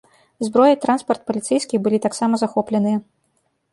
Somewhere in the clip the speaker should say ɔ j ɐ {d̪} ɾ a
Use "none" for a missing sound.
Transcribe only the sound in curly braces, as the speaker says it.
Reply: t̪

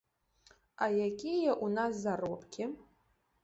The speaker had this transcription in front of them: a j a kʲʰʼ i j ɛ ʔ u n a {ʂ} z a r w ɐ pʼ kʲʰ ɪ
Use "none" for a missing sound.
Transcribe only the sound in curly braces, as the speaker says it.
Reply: s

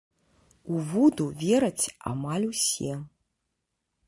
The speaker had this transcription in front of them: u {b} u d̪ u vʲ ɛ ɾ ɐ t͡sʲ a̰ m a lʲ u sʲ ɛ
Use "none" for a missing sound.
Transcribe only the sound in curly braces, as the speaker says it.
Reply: v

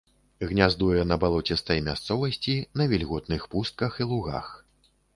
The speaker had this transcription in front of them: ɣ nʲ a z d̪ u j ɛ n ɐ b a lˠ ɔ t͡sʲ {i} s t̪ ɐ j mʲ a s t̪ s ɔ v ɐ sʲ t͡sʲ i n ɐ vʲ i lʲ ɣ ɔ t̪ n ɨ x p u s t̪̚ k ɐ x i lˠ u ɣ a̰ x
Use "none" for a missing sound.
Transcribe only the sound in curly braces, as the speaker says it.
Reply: ɛ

